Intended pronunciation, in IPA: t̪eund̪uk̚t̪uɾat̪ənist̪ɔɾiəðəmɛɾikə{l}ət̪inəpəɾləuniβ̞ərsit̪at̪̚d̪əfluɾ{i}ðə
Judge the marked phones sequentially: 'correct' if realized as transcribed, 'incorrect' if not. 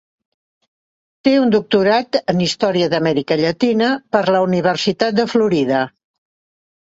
incorrect, correct

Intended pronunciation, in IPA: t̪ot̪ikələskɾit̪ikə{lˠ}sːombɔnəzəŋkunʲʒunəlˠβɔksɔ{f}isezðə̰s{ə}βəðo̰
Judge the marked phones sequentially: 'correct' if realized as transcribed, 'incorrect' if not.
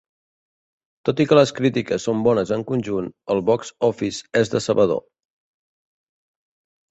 incorrect, correct, correct

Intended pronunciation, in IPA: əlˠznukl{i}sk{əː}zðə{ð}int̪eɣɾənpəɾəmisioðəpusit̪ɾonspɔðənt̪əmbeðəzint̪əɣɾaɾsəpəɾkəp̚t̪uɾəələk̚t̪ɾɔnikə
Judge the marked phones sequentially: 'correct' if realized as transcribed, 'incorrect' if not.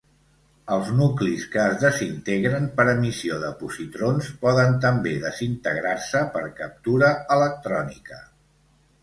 correct, correct, incorrect

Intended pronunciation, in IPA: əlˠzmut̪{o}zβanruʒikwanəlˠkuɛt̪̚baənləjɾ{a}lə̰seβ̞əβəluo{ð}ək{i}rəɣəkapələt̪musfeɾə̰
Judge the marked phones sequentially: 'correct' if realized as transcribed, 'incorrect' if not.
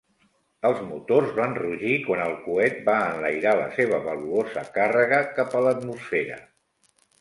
correct, correct, incorrect, incorrect

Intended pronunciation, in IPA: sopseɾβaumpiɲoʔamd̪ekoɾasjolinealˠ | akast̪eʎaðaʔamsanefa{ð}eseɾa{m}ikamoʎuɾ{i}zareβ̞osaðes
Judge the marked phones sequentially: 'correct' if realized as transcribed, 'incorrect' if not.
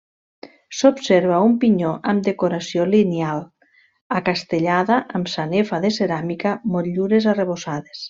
correct, correct, incorrect

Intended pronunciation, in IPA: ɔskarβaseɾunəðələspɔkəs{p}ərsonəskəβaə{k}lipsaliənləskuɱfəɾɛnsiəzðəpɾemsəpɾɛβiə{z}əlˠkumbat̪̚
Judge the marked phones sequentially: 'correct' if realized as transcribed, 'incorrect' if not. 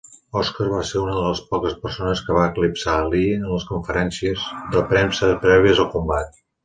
correct, correct, correct

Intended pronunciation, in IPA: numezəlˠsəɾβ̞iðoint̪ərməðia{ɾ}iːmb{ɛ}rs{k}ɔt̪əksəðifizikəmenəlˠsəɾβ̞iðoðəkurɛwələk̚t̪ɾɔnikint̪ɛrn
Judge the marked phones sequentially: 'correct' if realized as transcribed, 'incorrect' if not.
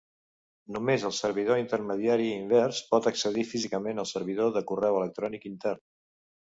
correct, correct, incorrect

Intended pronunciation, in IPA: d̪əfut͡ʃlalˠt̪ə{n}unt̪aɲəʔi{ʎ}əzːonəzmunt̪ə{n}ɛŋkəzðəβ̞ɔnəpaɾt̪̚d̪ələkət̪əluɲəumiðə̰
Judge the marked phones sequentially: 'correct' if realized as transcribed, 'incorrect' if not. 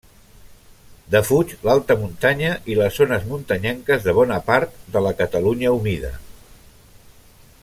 incorrect, incorrect, incorrect

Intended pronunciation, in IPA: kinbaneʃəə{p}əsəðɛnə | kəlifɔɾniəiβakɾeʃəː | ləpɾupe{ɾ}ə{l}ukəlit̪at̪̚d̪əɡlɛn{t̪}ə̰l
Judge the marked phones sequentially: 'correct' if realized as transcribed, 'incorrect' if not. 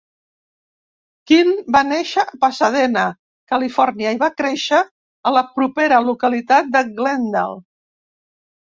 correct, correct, correct, incorrect

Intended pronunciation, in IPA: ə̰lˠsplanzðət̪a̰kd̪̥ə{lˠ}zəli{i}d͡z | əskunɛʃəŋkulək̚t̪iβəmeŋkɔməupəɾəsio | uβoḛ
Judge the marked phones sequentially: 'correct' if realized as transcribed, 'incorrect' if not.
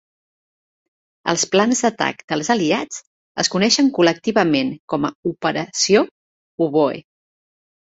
correct, incorrect

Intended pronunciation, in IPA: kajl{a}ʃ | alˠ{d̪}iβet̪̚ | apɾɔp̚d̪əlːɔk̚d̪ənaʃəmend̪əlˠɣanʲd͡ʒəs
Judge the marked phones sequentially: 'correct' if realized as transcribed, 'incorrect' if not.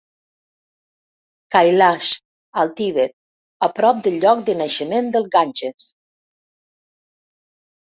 correct, incorrect

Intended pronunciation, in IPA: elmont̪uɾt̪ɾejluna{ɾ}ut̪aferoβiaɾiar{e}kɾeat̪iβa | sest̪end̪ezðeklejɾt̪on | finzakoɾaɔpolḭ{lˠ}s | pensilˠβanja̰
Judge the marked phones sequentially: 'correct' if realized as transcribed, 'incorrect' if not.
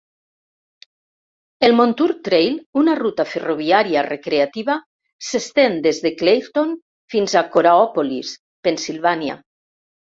incorrect, correct, incorrect

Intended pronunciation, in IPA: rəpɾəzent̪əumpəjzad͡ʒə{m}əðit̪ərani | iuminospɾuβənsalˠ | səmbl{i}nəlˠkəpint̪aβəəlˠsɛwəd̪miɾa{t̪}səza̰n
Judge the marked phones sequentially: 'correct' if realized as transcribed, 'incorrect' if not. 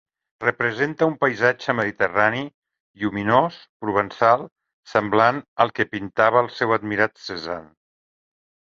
correct, incorrect, correct

